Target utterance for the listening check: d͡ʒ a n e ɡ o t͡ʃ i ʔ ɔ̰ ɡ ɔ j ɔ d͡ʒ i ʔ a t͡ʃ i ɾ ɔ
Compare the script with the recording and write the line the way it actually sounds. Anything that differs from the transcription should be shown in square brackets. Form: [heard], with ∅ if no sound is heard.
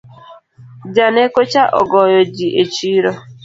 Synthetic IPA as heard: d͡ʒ a n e [k] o t͡ʃ [a] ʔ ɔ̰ ɡ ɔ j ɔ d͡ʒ i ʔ [e] t͡ʃ i ɾ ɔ